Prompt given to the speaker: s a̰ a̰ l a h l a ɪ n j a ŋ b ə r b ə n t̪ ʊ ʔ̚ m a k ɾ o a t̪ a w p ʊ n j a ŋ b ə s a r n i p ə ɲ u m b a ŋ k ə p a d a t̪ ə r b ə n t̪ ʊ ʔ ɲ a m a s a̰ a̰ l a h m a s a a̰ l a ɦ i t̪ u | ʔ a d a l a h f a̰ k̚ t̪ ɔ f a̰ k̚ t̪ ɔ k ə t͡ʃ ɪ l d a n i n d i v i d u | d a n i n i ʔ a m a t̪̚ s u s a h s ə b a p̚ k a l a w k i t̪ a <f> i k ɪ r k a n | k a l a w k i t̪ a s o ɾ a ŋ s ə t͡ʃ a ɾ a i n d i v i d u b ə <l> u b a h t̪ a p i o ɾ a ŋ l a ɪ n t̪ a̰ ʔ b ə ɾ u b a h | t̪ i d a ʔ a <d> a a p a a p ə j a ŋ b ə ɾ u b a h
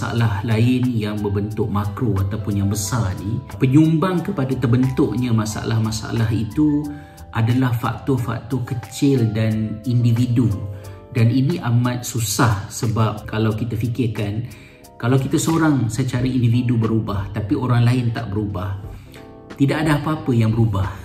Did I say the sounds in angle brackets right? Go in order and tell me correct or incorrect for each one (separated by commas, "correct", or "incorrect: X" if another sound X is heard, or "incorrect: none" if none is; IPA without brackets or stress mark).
correct, incorrect: ɾ, correct